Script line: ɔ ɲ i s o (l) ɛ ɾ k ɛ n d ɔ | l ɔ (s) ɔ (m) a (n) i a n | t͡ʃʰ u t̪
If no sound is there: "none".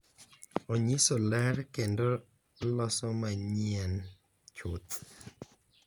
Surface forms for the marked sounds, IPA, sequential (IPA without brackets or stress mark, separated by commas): l, s, m, ɲ